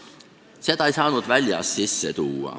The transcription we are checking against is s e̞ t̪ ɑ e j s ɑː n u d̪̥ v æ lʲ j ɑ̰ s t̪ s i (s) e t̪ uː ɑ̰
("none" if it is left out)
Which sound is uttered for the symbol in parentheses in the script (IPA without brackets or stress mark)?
sː